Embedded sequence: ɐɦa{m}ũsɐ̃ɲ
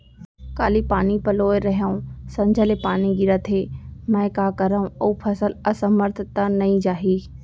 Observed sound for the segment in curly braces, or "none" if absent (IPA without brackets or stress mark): none